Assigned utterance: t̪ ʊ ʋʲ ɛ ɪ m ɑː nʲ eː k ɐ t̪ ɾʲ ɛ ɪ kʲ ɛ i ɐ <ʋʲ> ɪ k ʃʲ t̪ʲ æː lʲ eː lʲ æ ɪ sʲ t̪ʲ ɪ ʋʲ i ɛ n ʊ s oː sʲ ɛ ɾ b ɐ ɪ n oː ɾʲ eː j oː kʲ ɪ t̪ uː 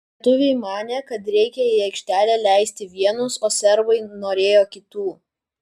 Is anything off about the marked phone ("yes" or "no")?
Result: yes